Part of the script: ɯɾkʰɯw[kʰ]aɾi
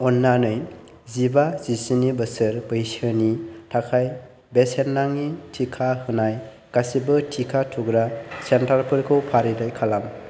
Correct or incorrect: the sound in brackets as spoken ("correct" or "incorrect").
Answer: incorrect